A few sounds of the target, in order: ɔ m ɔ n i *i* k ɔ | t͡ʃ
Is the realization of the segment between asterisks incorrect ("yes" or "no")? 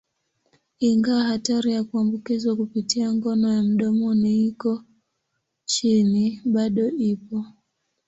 no